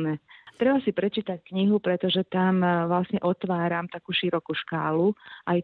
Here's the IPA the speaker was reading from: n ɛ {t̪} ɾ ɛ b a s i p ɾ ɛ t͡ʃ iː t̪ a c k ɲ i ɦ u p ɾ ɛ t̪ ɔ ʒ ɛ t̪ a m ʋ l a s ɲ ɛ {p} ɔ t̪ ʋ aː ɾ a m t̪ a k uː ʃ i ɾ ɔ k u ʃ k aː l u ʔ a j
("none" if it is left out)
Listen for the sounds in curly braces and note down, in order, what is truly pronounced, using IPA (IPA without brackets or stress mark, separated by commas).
t̪, ʔ